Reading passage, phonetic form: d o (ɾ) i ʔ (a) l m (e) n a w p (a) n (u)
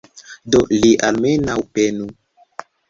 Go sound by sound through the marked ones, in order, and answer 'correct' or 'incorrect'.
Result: incorrect: l, correct, correct, incorrect: e, correct

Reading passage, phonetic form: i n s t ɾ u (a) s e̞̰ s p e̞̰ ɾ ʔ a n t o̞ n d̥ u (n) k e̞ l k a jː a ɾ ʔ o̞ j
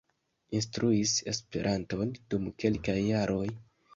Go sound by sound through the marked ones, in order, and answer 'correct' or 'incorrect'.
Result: incorrect: i, incorrect: m

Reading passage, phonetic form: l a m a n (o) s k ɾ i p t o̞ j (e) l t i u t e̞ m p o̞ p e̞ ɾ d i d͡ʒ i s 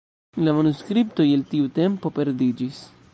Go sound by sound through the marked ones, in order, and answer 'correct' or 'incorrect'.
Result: incorrect: u, correct

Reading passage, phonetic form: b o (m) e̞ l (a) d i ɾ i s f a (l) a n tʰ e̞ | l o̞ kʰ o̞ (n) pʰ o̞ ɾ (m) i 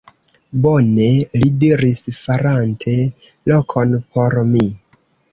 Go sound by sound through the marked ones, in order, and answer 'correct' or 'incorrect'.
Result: incorrect: n, incorrect: i, incorrect: ɾ, correct, correct

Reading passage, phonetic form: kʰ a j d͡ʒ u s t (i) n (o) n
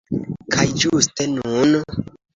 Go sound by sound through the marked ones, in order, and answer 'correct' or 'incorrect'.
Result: incorrect: e, incorrect: u

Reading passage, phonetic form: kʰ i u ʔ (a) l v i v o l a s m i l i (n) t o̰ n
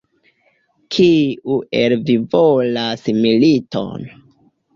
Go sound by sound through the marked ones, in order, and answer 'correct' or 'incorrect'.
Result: incorrect: e, incorrect: none

